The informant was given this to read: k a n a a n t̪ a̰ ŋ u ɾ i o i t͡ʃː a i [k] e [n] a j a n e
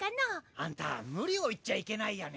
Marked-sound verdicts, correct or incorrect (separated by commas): correct, correct